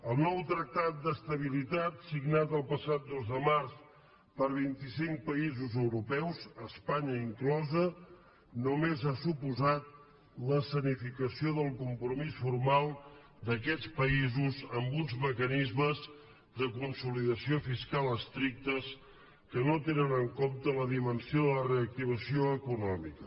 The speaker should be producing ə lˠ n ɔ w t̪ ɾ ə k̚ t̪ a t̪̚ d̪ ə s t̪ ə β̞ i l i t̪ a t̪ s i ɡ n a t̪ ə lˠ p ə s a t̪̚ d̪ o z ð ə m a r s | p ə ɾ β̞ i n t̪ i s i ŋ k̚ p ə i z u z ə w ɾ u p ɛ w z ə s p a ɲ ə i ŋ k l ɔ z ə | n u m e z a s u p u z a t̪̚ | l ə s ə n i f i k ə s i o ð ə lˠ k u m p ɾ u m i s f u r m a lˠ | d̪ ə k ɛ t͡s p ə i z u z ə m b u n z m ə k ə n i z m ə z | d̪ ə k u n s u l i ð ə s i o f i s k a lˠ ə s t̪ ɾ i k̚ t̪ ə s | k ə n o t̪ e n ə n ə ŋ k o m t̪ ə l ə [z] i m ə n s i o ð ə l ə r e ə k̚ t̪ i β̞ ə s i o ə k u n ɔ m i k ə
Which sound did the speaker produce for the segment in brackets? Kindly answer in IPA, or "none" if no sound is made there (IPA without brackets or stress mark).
ð